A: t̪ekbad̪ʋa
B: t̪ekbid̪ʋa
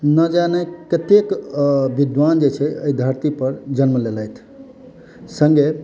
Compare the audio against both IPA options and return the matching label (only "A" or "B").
B